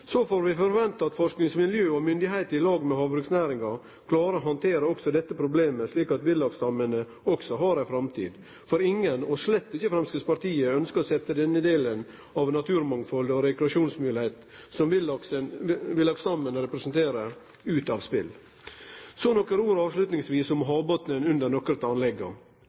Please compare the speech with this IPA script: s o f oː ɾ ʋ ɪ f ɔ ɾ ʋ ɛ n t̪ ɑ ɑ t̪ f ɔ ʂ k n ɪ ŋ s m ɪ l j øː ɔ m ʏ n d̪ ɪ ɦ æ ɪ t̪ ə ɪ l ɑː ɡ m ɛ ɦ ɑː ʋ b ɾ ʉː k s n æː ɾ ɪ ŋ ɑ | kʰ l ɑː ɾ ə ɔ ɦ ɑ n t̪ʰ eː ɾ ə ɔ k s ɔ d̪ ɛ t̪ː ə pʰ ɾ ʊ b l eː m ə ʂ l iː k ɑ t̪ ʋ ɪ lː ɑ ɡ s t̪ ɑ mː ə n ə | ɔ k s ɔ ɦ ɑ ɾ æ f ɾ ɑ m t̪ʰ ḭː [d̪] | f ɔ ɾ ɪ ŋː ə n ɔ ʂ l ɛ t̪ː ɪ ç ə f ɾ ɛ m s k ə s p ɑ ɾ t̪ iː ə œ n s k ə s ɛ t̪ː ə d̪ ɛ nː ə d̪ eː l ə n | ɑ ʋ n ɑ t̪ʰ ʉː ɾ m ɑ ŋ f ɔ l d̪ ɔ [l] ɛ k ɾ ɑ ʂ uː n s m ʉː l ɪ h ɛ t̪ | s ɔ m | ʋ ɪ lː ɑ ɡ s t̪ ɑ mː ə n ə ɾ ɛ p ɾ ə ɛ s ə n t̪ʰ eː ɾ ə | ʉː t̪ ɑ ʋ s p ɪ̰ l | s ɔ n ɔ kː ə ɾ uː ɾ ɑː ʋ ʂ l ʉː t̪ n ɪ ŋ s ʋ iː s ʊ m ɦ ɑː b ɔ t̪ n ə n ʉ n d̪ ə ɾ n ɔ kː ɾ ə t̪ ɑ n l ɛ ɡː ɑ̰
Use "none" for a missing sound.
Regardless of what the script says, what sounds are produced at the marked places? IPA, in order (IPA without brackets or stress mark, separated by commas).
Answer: d̪, ɾ